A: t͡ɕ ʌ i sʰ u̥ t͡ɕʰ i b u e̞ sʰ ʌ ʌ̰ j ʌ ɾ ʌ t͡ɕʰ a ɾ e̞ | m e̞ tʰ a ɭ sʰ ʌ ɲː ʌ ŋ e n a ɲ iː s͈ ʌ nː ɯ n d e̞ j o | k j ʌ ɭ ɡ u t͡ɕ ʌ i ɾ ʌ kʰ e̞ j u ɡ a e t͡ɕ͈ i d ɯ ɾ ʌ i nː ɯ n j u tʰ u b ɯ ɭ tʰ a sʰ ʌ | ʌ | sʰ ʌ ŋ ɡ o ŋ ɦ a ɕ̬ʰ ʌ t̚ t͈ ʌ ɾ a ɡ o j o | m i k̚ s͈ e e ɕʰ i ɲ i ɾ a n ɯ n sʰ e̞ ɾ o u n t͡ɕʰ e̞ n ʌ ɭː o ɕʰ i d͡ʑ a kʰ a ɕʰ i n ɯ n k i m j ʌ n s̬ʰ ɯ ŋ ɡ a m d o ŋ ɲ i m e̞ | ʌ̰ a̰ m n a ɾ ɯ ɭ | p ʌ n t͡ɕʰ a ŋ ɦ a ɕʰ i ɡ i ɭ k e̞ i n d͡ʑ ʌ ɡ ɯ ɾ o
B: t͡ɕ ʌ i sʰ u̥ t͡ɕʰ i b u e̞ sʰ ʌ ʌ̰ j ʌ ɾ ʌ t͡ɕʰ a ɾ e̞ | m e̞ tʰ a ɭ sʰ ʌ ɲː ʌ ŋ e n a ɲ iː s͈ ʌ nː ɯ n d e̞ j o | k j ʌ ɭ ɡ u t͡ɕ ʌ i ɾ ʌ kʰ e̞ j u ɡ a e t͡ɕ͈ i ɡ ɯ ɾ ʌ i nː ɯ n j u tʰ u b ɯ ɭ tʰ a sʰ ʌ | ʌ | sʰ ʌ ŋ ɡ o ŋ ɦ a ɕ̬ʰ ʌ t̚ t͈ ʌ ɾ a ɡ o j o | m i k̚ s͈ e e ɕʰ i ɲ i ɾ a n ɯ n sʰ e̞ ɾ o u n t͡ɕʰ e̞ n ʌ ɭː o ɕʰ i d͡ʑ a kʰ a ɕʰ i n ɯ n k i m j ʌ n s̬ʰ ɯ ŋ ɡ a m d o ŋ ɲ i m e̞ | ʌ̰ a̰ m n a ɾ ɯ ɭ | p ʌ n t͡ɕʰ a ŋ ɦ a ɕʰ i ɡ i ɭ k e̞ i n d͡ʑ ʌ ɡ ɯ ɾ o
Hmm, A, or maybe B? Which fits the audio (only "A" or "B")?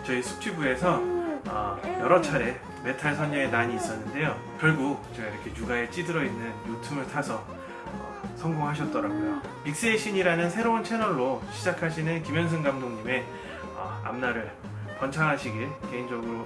A